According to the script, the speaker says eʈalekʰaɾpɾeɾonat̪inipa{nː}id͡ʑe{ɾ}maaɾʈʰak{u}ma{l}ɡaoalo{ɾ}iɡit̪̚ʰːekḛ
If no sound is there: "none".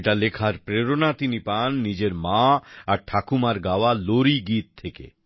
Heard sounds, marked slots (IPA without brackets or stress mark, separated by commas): nː, ɾ, u, ɾ, ɾ